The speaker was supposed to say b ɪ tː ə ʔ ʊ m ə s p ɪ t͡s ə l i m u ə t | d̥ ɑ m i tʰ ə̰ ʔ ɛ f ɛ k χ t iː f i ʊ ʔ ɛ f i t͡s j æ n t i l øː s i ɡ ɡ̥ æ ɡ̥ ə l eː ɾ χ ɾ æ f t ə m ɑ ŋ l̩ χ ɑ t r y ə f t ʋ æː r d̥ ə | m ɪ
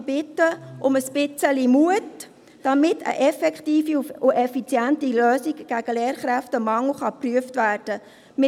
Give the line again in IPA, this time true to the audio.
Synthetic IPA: b ɪ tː ə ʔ ʊ m ə s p ɪ t͡s ə l i m u ə t | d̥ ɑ m ɪ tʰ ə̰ ʔ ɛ f ɛ k χ t iː f i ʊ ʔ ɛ f i t͡s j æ n t i l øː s i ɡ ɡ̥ æ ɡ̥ ə l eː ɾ χ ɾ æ f t ə m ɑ ŋ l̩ χ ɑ p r y ə f t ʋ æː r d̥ ə | m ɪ

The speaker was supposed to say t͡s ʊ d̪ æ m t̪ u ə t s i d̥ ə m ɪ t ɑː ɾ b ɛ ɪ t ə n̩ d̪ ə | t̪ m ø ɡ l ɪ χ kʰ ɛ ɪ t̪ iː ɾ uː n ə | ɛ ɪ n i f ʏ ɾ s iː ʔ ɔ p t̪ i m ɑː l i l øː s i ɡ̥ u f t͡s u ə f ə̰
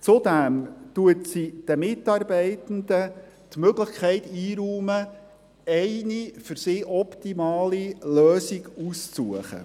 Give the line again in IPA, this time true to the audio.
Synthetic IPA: t͡s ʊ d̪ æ m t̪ u ə t s i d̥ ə m ɪ t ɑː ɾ b ɛ ɪ t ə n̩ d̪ ə | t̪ m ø ɡ l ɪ χ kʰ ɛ ɪ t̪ iː ɾ uː m ə | ɛ ɪ n i f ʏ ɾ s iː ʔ ɔ p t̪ i m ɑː l i l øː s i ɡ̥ u s t͡s u ə χ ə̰

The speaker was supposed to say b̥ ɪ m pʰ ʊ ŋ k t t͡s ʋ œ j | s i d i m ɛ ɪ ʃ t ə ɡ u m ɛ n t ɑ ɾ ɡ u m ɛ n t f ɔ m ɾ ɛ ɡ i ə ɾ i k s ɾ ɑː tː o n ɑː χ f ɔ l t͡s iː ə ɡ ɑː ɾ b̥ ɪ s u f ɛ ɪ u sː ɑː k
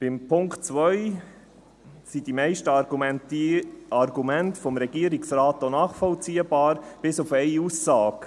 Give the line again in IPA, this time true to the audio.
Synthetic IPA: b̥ ɪ m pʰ ʊ ŋ k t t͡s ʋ œ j | s i d i m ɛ ɪ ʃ t ə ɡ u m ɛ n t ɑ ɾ ɡ u m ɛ n t f ɔ m ɾ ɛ ɡ i ə ɾ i k s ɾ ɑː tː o n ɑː χ f ɔ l t͡s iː ə b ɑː ɾ b̥ ɪ s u f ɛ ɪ u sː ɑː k

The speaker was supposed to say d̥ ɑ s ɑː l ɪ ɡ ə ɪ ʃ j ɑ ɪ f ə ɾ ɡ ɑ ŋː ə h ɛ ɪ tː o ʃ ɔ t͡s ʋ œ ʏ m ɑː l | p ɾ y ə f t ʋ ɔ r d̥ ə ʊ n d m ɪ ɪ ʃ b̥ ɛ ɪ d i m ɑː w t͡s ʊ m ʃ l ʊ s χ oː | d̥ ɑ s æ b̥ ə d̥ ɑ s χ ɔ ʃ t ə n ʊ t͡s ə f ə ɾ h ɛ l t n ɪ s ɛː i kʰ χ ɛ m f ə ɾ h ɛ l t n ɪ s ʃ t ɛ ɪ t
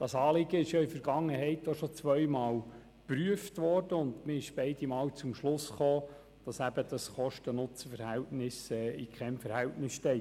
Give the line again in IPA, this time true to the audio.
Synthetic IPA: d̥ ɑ s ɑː l ɪ ɡ ə ɪ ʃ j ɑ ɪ f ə ɾ ɡ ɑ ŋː ə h ɛ ɪ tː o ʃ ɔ t͡s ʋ œ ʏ m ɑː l | p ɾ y ə f t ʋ ɔ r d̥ ə ʊ n d m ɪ ɪ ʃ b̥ ɛ ɪ d i m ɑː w t͡s ʊ m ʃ l ʊ s χ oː | d̥ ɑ s æ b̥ ə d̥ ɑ s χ ɔ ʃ t ə n ʊ t͡s ə f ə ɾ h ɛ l t n ɪ s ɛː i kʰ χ ɛ m f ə ɾ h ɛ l t n ɪ s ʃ t ɛ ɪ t

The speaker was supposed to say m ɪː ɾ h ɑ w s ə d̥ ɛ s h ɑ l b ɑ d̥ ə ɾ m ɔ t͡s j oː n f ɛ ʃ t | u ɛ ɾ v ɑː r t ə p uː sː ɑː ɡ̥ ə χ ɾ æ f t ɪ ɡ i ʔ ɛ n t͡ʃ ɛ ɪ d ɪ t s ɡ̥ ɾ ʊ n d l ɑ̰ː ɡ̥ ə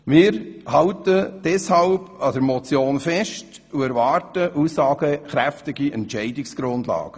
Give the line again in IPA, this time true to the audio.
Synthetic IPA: m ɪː ɾ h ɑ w t ə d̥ ɛ s h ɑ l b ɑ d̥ ə ɾ m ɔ t͡s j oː n f ɛ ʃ t | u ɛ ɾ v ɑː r t ə ʔ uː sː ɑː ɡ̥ ə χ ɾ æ f t ɪ ɡ i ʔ ɛ n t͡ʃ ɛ ɪ d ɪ k s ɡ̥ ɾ ʊ n d l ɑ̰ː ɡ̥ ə

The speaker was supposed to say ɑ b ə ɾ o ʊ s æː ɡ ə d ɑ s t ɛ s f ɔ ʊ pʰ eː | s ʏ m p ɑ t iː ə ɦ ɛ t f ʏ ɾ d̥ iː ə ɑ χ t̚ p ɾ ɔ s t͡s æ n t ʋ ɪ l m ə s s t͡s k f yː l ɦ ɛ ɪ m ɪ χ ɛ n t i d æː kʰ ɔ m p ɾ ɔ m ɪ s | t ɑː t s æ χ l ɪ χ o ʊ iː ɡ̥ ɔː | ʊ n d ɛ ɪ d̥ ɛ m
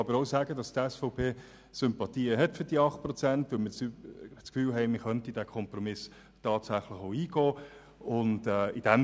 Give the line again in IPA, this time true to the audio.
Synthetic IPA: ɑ b ə ɾ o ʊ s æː ɡ ə d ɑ s t ɛ s f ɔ ʊ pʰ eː | s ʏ m p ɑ t iː ə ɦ ɛ t f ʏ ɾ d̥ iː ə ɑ χ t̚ p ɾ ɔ t͡s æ n t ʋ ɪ l m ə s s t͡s k f yː l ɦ ɛ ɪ m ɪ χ œ n t i d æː kʰ ɔ m p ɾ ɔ m ɪ s | t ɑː t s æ χ l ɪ χ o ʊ iː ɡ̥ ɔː | ʊ n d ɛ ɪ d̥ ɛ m

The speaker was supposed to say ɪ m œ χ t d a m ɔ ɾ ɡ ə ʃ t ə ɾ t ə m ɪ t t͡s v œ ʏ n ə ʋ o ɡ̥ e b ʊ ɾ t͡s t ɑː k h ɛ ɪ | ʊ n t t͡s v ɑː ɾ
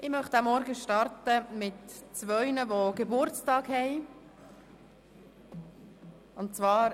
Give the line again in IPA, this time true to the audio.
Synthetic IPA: ɪ m œ χ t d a m ɔ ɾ ɡ ə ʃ t ɑ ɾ t ə m ɪ t t͡s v œ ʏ n ə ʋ o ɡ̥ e b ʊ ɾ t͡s t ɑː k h ɛ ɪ | ʊ n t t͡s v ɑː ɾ

